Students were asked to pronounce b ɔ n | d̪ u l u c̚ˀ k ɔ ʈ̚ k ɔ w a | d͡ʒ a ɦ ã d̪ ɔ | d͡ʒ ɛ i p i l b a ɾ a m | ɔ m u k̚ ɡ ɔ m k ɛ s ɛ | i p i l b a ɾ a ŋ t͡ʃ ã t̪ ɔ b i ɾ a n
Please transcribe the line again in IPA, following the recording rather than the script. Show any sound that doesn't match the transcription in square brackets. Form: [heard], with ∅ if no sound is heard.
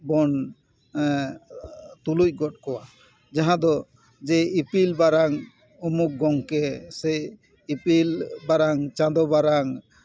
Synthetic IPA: b ɔ n | [t̪] u l u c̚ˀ [ɡ] ɔ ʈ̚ k ɔ w a | d͡ʒ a ɦ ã d̪ ɔ | d͡ʒ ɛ i p i l b a ɾ a [ŋ] | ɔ m u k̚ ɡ ɔ [ŋ] k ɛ s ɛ | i p i l b a ɾ a ŋ t͡ʃ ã [d̪] ɔ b [a] ɾ a [ŋ]